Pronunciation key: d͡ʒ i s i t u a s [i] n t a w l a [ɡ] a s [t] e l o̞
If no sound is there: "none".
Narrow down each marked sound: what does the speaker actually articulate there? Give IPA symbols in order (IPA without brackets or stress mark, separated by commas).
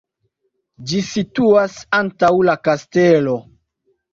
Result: a, k, t